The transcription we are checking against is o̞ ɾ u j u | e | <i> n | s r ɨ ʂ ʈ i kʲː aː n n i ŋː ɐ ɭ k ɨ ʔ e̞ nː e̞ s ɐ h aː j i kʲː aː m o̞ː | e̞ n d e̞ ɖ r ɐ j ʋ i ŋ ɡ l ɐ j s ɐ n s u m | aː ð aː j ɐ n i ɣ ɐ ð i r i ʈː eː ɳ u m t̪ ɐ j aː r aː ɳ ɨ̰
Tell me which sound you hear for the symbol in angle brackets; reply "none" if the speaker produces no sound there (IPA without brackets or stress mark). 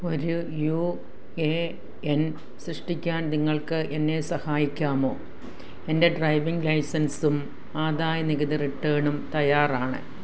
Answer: e